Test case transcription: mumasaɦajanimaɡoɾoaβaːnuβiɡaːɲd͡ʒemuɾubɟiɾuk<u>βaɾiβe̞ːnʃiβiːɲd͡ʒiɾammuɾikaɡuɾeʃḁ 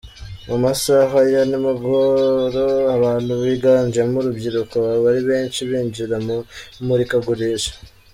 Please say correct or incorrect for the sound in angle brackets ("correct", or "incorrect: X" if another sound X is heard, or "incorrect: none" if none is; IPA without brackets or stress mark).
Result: incorrect: o